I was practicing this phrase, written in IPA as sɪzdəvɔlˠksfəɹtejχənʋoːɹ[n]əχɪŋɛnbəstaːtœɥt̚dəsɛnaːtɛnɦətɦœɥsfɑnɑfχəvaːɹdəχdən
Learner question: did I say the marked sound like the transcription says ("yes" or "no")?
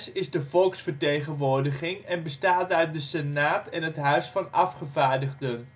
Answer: no